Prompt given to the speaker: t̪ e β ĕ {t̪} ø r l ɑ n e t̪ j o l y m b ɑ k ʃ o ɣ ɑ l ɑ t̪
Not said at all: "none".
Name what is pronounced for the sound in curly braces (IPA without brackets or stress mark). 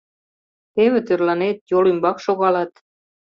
t̪